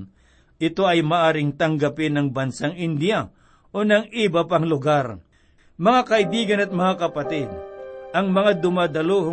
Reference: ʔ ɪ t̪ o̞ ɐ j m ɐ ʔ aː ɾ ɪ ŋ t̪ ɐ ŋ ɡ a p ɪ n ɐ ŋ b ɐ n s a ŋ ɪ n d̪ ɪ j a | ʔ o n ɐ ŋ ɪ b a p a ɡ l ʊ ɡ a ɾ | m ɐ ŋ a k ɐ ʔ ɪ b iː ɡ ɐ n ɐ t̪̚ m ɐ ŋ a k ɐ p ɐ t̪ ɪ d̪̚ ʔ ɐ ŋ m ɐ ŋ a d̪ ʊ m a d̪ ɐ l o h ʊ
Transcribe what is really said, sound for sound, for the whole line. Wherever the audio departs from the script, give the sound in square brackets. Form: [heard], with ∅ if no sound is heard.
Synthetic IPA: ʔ ɪ t̪ o̞ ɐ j m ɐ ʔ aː ɾ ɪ ŋ t̪ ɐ ŋ ɡ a p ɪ n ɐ ŋ b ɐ n s a ŋ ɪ n d̪ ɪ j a | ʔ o n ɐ ŋ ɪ b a p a [ŋ] l ʊ ɡ a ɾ | m ɐ ŋ a k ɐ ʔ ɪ b iː ɡ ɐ n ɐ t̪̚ m ɐ ŋ a k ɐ p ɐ t̪ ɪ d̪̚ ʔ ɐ ŋ m ɐ ŋ a d̪ ʊ m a d̪ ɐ l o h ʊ